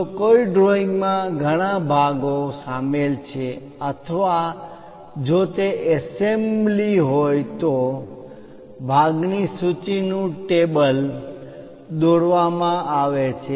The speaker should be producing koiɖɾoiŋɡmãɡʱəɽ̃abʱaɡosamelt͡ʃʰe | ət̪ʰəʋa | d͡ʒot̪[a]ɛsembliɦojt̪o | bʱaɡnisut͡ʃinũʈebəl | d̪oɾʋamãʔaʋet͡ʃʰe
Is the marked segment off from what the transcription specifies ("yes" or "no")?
yes